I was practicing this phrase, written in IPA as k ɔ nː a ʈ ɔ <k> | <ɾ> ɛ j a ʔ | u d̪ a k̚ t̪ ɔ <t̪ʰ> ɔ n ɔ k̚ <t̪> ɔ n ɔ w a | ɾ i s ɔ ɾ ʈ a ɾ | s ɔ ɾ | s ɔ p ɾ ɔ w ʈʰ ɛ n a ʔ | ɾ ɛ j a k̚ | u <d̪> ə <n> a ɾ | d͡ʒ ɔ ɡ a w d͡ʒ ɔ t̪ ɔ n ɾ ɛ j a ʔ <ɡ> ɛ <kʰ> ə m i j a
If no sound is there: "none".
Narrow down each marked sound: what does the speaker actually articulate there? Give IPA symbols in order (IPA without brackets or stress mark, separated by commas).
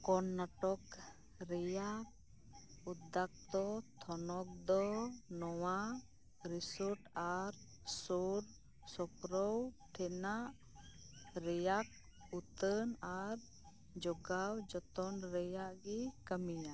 k, ɾ, t̪ʰ, d̪, t̪, n, ɡ, k